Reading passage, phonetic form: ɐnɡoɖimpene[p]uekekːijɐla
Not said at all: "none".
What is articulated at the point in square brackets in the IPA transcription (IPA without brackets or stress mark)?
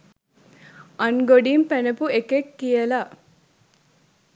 p